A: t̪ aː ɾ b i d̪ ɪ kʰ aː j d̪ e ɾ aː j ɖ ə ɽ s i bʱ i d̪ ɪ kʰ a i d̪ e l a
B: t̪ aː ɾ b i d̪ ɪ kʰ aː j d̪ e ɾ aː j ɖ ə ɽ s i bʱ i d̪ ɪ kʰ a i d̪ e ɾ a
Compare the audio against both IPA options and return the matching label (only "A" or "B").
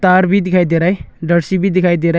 B